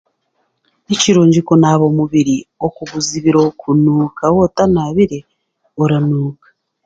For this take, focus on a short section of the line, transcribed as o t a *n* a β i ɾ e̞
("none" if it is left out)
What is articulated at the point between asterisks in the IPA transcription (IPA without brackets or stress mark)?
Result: n